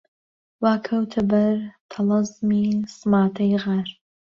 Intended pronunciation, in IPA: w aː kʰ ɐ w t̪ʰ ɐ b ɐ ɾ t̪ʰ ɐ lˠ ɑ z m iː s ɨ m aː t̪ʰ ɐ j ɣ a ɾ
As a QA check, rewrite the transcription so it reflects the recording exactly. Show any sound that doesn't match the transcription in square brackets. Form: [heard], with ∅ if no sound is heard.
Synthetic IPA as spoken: w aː kʰ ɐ w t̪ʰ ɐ b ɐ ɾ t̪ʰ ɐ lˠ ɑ z m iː s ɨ m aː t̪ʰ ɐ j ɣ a ɾ